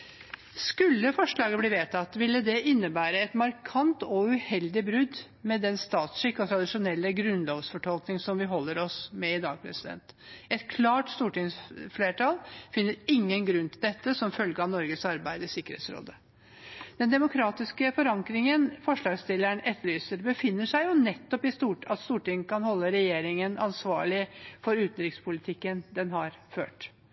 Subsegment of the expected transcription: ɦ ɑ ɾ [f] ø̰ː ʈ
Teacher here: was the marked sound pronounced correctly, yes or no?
yes